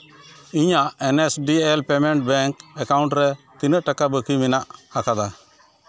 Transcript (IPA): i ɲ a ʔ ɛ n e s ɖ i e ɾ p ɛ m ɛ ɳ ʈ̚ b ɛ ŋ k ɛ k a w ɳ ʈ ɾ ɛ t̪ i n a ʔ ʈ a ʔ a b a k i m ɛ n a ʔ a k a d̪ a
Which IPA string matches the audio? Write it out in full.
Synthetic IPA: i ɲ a ʔ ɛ n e s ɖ i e l p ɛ m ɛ ɳ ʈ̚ b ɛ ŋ k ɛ k a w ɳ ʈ ɾ ɛ t̪ i n ə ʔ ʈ a k a b ə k i m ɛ n a ʔ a k a d̪ a